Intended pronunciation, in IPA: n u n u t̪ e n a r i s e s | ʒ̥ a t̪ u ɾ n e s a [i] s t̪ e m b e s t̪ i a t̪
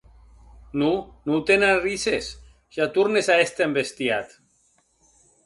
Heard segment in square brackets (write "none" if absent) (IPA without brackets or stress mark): e